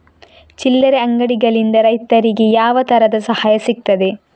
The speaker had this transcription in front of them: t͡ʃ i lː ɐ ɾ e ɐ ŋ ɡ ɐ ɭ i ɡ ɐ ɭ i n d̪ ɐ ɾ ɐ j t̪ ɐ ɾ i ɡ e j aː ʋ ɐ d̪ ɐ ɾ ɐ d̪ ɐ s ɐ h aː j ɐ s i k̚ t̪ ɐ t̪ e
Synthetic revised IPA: t͡ʃ i lː ɐ ɾ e ɐ ŋ ɡ ɐ ɽ i ɡ ɐ ɭ i n d̪ ɐ ɾ ɐ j t̪ ɐ ɾ i ɡ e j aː ʋ ɐ t̪ ɐ ɾ ɐ d̪ ɐ s ɐ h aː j ɐ s i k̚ t̪ ɐ d̪ e

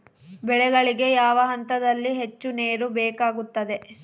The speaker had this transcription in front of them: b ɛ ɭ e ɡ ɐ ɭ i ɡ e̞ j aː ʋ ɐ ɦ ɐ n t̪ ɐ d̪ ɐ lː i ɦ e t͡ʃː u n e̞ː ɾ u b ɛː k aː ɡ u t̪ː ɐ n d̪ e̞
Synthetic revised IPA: b ɛ ɭ ɛ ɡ ɐ ɭ i ɡ e̞ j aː ʋ ɐ ɦ ɐ n t̪ ɐ d̪ ɐ lː i ɦ e t͡ʃː u n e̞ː ɾ u b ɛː k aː ɡ u t̪ː ɐ d̪ e̞

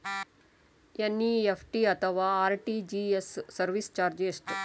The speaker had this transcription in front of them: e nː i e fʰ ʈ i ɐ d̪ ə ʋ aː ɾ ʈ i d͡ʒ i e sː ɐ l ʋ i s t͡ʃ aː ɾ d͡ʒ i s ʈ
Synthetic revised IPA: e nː i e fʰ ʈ i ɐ t̪ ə ʋ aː ɾ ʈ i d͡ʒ i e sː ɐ ɾ ʋ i s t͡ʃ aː ɾ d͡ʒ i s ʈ

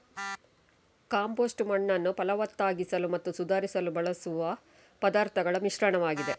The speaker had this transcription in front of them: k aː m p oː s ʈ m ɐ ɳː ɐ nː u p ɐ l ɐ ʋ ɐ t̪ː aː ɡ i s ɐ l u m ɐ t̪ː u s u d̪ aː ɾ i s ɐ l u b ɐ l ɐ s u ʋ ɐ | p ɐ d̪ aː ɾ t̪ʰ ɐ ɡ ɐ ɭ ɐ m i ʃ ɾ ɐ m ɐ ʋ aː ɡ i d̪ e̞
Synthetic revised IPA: k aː m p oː s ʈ m ɐ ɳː ɐ nː u p ɐ l ɐ ʋ ɐ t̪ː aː ɡ i s ɐ l u m ɐ t̪ː u s u d̪ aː ɾ i s ɐ l u b ɐ ɭ ɐ s u ʋ ɐ | p ɐ d̪ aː ɾ t̪ʰ ɐ ɡ ɐ ɭ ɐ m i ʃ ɾ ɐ ɳ ɐ ʋ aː ɡ i d̪ e̞

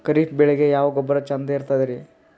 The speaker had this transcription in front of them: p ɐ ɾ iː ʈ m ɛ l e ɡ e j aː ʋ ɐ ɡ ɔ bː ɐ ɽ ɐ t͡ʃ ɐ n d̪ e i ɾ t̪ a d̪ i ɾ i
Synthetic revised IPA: k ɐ ɾ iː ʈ b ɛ ɭ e ɡ e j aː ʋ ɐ ɡ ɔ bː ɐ ɾ ɐ t͡ʃ ɐ n d̪ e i ɾ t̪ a d̪ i ɾ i

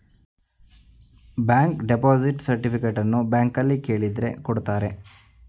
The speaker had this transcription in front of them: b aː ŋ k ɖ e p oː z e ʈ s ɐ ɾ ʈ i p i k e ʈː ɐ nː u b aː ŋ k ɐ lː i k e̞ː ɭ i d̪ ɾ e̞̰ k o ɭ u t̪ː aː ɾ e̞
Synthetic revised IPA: b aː ŋ k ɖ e p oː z i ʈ s ɐ ɾ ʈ i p i k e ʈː ɐ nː u b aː ŋ k ɐ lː i k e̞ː ɭ i d̪ ɾ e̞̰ k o ɽ u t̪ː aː ɾ e̞

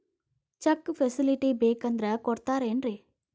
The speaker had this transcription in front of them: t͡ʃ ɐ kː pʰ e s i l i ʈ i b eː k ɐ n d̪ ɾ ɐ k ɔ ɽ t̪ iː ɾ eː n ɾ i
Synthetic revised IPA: t͡ʃ ɐ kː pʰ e s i l i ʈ i b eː k ɐ n d̪ ɾ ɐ k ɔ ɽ t̪ aː ɾ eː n ɾ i

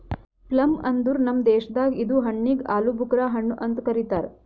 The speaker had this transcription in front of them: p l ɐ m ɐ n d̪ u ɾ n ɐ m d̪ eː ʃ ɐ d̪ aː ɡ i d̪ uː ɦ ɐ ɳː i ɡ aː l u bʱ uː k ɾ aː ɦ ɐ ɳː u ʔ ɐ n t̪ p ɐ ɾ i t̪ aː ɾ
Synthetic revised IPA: p l ɐ m ɐ n d̪ u ɾ n ɐ m d̪ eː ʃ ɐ d̪ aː ɡ i d̪ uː ɦ ɐ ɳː i ɡ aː l u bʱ u k ɾ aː ɦ ɐ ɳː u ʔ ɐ n t̪ k ɐ ɾ i t̪ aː ɾ

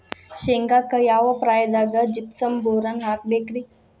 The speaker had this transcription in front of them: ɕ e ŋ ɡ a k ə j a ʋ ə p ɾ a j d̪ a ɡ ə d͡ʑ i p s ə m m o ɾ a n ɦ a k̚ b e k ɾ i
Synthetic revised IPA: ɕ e ŋ ɡ a k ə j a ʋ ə p ɾ a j d̪ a ɡ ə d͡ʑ i p s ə m b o ɾ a n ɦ a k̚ b e k ɾ i

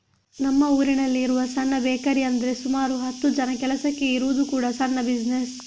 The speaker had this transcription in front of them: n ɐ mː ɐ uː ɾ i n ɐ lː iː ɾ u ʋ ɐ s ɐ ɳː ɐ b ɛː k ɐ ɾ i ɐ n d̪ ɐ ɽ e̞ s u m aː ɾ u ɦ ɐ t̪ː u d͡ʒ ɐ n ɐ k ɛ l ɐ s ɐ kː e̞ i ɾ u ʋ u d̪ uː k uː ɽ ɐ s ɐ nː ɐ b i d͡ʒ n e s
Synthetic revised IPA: n ɐ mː ɐ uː ɾ i n ɐ lː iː ɾ u ʋ ɐ s ɐ nː ɐ b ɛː k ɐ ɾ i ɐ n d̪ ɐ ɾ e̞ s u m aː ɾ u ɦ ɐ t̪ː u d͡ʒ ɐ n ɐ k ɛ l ɐ s ɐ kː e̞ i ɾ u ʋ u d̪ u k uː ɽ ɐ s ɐ nː ɐ b i d͡ʒ n e s

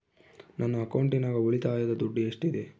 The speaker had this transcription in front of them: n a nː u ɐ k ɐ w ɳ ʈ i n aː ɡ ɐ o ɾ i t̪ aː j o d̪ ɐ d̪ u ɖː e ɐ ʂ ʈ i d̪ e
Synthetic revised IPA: n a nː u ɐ k ɐ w ɳ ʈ i n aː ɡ ɐ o ɭ i t̪ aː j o d̪ ɐ d̪ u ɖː i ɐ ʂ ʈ i d̪ e

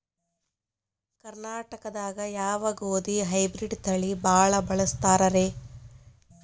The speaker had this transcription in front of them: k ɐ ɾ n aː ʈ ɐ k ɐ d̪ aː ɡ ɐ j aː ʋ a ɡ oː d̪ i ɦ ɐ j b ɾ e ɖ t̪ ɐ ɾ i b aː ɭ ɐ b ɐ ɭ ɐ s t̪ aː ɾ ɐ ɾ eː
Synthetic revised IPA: k ɐ ɾ n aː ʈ ɐ k ɐ d̪ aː ɡ ɐ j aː ʋ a ɡ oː d̪ i ɦ ɐ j b ɾ i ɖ t̪ ɐ ɭ i b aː ɭ ɐ b ɐ ɭ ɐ s t̪ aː ɾ ɐ ɾ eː

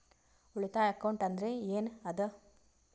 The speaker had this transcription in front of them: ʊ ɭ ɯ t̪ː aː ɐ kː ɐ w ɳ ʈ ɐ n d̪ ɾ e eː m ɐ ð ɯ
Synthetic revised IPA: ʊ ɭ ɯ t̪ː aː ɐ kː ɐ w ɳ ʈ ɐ n d̪ ɾ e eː n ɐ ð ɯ

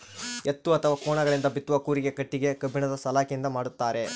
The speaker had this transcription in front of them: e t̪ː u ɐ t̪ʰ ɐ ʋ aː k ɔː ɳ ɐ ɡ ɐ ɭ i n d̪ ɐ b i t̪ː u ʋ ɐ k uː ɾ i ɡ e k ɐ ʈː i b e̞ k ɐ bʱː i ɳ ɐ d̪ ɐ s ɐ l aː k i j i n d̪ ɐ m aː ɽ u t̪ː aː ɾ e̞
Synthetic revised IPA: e t̪ː u ɐ t̪ʰ ɐ ʋ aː k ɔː ɳ ɐ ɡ ɐ ɭ i n d̪ ɐ b i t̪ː u ʋ ɐ k uː ɾ i ɡ e k ɐ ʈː i ɡ e̞ k ɐ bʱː i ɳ ɐ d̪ ɐ s ɐ l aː k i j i n d̪ ɐ m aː ɽ u t̪ː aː ɾ e̞

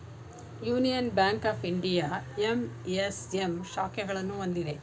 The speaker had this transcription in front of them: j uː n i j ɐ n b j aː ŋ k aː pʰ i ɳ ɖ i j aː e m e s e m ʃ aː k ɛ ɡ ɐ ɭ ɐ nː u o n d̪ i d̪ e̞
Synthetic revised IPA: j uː n i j ɐ n b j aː ŋ k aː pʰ i ɳ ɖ i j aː e m e s e m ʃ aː k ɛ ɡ ɐ ɭ ɐ nː u o n d̪ i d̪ e̞

